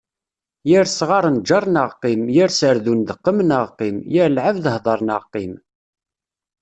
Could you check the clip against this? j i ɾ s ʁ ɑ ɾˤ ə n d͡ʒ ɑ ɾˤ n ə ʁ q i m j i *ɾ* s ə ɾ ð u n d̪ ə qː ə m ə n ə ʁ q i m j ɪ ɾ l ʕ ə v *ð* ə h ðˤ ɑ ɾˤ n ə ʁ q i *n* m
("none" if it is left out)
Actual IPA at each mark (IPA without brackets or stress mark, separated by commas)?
ɾ, ð, none